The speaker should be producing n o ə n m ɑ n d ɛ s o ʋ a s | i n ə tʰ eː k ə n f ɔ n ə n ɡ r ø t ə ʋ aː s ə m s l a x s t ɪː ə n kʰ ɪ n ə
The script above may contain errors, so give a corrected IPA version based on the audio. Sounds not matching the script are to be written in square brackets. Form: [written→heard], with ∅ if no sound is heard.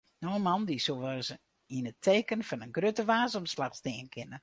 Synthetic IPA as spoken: n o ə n m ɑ n d [ɛ→i] s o ʋ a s | i n ə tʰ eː k ə n f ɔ n ə n ɡ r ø t ə ʋ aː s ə m s l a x s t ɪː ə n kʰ ɪ n ə